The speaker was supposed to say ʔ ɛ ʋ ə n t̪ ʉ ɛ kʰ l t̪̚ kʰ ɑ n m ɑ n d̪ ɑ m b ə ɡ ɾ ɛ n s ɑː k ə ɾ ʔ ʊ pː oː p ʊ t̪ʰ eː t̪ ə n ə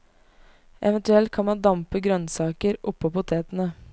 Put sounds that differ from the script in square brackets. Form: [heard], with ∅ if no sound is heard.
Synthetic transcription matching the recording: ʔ ɛ ʋ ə n t̪ ʉ ɛ [∅] l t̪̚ kʰ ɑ n m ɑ n d̪ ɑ m [p] ə ɡ ɾ [œ] n s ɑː k ə ɾ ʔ ʊ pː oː p ʊ t̪ʰ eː t̪ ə n ə